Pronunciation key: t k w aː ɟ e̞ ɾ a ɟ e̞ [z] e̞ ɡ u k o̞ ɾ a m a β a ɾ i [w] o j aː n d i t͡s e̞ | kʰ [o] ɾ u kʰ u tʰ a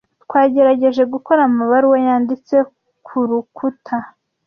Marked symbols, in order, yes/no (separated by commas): no, yes, no